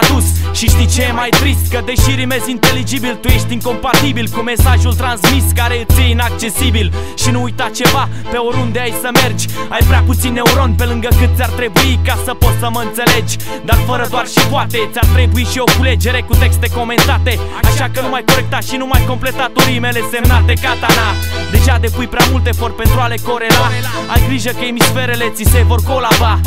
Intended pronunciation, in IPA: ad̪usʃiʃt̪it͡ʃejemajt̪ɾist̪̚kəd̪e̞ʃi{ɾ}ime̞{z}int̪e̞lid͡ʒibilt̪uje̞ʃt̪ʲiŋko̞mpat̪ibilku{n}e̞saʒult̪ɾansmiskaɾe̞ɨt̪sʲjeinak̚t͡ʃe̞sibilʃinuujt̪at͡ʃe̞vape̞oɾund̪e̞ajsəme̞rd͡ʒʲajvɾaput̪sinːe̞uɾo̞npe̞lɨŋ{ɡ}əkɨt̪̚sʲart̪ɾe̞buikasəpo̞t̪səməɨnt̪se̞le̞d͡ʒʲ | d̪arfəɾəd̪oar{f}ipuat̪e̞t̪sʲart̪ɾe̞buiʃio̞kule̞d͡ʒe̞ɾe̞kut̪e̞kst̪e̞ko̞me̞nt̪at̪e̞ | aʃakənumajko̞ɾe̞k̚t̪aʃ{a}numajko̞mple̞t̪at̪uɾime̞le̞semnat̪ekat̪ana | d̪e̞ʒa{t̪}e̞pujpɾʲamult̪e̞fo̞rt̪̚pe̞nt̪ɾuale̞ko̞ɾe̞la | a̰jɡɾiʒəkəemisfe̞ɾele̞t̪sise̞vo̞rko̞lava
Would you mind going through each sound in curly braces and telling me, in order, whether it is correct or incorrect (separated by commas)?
correct, correct, incorrect, correct, incorrect, incorrect, incorrect